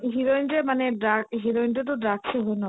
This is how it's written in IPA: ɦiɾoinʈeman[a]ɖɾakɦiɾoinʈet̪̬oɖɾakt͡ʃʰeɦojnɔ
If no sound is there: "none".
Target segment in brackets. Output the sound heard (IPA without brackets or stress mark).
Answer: e